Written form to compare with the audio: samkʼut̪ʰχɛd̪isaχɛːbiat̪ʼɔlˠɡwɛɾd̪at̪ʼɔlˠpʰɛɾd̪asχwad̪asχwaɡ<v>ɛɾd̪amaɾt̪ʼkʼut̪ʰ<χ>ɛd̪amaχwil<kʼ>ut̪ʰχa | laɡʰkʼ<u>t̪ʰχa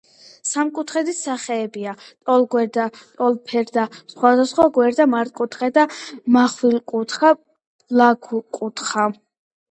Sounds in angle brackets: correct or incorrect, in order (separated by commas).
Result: incorrect, correct, correct, correct